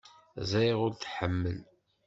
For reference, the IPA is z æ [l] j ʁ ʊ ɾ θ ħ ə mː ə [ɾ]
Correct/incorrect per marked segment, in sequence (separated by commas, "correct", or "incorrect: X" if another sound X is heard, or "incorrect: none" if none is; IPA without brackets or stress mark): incorrect: none, incorrect: l